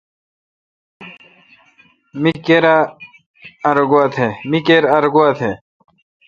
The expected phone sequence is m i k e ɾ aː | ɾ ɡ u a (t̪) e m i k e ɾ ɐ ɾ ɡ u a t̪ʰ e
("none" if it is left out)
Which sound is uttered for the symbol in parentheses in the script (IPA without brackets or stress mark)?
t̪ʰ